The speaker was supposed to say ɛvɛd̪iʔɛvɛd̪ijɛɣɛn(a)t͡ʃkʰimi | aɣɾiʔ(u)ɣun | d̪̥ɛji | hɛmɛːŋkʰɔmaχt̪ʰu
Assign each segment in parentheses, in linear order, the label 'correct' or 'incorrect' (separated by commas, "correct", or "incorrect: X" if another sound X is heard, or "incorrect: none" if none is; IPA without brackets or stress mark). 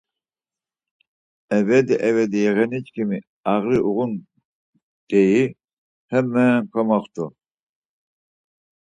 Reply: incorrect: i, correct